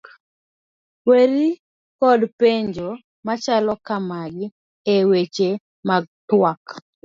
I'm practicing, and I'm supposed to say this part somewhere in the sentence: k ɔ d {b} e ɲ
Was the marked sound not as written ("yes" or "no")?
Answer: yes